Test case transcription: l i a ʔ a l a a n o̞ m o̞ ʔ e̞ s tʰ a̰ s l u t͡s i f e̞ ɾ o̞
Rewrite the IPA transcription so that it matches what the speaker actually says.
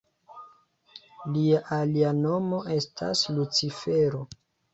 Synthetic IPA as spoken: l i a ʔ a l i a n o̞ m o̞ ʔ e̞ s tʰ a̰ s l u t͡s i f e̞ ɾ o̞

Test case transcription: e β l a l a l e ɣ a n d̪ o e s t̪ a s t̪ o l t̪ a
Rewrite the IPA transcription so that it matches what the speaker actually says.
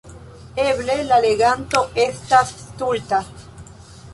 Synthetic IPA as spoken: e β l e l a l e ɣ a n t̪ o e s t̪ a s t̪ u l t̪ a

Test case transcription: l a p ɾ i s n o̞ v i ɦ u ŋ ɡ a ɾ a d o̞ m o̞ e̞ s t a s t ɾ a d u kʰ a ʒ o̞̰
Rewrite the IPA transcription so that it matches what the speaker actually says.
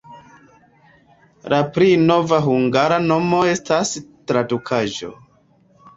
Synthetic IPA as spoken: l a p ɾ i n o̞ v a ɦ u ŋ ɡ a ɾ a n o̞ m o̞ e̞ s t a s t ɾ a d u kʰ a ʒ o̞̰

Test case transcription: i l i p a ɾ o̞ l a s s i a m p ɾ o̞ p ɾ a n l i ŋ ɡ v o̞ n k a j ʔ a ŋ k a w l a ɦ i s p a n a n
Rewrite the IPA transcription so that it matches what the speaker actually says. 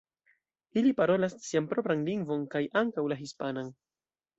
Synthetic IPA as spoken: i l i p a ɾ o̞ l a s s i a m p ɾ o̞ p ɾ a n l i ŋ ɡ v o̞ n k a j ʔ a ŋ k a w l a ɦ i s p a n a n

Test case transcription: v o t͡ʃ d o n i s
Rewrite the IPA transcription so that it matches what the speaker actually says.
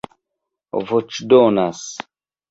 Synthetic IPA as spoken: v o t͡ʃ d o n a s

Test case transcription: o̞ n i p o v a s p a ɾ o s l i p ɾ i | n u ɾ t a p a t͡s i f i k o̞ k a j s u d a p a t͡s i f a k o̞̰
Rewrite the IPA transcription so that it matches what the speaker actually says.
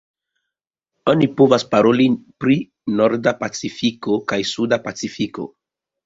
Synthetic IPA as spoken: o̞ n i p o v a s p a ɾ o l i p ɾ i | n o ɾ d a p a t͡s i f i k o̞ k a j s u d a p a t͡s i f i k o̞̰

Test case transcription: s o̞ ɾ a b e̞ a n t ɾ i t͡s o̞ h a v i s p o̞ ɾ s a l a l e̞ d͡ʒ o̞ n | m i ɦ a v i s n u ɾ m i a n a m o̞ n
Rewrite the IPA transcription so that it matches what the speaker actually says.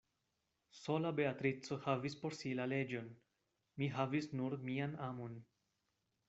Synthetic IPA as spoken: s o̞ l a b e̞ a t ɾ i t͡s o̞ h a v i s p o̞ ɾ s i l a l e̞ d͡ʒ o̞ n | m i ɦ a v i s n u ɾ m i a n a m o̞ n

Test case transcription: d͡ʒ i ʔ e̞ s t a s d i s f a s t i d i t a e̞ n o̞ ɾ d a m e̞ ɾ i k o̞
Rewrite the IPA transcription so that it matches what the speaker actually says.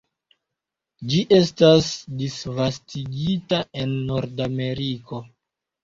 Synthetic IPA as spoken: d͡ʒ i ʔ e̞ s t a s d i s v a s t i ɡ i t a e̞ nː o̞ ɾ d a m e̞ ɾ i k o̞

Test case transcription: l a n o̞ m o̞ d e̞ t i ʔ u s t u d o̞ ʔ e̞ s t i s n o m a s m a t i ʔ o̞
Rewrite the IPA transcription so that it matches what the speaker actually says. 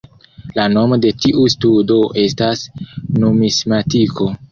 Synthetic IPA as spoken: l a n o̞ m o̞ d e̞ t i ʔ u s t u d o̞ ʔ e̞ s t a s n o m i s m a t i k o̞

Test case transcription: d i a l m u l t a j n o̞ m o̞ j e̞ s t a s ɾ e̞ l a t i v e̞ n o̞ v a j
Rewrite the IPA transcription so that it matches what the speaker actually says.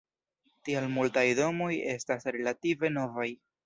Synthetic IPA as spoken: t i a l m u l t a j d o̞ m o̞ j e̞ s t a s ɾ e̞ l a t i v e̞ n o̞ v a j

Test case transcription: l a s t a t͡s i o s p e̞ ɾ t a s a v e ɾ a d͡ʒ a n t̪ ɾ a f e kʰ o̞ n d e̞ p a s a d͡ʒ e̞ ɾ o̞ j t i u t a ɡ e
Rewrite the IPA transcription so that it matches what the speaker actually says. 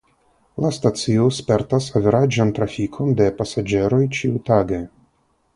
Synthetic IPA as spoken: l a s t a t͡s i o s p e̞ ɾ t a s a v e ɾ a d͡ʒ a n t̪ ɾ a f i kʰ o̞ n d e̞ p a s a d͡ʒ e̞ ɾ o̞ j t͡ʃ i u t a ɡ e

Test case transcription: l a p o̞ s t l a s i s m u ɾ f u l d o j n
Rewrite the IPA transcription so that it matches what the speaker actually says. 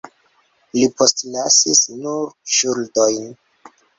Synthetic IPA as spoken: l i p o̞ s t l a s i s n u ɾ ʃ u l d o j n

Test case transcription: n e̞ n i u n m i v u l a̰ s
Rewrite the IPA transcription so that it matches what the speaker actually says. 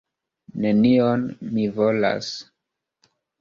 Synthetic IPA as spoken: n e̞ n i o n m i v o l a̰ s

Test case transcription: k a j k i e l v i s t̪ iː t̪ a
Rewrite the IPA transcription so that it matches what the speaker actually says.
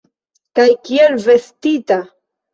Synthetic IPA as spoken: k a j k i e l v e s t̪ i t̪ a

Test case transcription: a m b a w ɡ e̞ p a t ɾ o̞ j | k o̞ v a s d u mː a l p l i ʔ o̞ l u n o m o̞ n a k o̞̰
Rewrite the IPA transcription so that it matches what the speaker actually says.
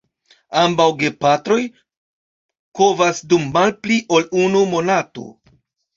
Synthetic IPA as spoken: a m b a w ɡ e̞ p a t ɾ o̞ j | k o̞ v a s d u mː a l p l i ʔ o̞ l u n u m o̞ n a t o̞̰

